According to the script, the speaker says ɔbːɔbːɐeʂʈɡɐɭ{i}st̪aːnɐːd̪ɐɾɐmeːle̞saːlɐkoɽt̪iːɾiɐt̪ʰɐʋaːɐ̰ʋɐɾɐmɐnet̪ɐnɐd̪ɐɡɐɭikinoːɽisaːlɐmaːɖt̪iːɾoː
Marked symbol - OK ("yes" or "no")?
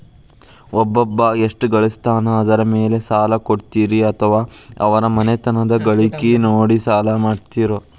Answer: yes